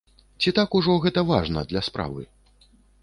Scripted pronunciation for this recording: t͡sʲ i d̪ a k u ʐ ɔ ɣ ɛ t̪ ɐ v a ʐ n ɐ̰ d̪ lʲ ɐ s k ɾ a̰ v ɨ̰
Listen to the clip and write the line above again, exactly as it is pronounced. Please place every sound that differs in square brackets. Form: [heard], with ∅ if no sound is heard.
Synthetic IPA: t͡sʲ i [t̪] a k u ʐ ɔ ɣ ɛ t̪ ɐ v a ʐ n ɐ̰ d̪ lʲ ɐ s [p] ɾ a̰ v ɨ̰